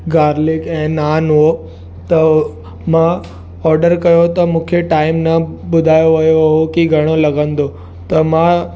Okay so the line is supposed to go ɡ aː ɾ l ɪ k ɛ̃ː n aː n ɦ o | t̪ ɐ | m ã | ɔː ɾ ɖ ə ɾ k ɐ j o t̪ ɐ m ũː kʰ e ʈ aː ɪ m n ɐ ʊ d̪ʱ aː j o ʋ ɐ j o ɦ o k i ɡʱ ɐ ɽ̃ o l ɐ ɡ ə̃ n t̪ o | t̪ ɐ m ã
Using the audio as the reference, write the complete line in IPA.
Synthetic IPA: ɡ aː ɾ l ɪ k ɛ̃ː n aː n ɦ o | t̪ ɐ | m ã | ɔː ɾ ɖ ə ɾ k ɐ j o t̪ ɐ m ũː kʰ e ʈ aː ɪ m n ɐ ʊ d̪ʱ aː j o ʋ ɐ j o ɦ o k i ɡʱ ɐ ɽ̃ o l ɐ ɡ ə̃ n d̪ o | t̪ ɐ m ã

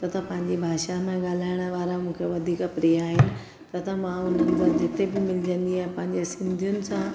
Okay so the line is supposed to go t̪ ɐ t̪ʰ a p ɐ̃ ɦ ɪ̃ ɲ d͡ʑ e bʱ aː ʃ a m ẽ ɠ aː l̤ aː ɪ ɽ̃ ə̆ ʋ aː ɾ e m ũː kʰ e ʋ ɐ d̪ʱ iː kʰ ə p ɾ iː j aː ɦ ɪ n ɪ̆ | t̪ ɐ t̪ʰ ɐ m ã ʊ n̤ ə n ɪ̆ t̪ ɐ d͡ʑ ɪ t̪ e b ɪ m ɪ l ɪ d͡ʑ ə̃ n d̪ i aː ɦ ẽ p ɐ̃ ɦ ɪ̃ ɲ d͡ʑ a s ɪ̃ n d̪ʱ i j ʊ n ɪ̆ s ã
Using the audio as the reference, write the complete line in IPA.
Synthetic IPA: t̪ ɐ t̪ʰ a p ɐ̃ ɦ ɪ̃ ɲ d͡ʑ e bʱ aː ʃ a m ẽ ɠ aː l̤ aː ɪ ɽ̃ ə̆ ʋ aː ɾ a m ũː kʰ e ʋ ɐ d̪ʱ iː k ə p ɾ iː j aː ɦ ɪ n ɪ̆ | t̪ ɐ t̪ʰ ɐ m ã ʊ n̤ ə n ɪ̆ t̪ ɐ d͡ʑ ɪ t̪ e b ɪ m ɪ l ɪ d͡ʑ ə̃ n d̪ i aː ɦ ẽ p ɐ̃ ɦ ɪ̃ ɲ d͡ʑ e s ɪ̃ n d̪ʱ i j ʊ n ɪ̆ s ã

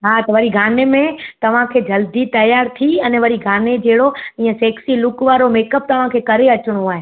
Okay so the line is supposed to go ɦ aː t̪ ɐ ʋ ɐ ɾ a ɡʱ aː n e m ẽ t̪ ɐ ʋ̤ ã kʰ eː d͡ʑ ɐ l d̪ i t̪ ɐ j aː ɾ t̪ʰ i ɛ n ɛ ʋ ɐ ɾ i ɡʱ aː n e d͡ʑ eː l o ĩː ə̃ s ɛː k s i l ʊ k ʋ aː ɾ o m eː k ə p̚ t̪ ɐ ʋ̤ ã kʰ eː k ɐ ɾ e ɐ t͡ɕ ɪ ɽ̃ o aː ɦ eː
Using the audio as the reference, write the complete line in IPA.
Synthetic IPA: ɦ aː t̪ ɐ ʋ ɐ ɾ i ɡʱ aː n e m ẽ t̪ ɐ ʋ̤ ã kʰ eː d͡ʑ ɐ l d̪ i t̪ ɐ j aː ɾ t̪ʰ i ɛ n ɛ ʋ ɐ ɾ i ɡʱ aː n e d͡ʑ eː ɽ o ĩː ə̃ s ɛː k s i l ʊ k ʋ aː ɾ o m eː k ə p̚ t̪ ɐ ʋ̤ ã kʰ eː k ɐ ɾ e ɐ t͡ɕ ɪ ɽ̃ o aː ɦ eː

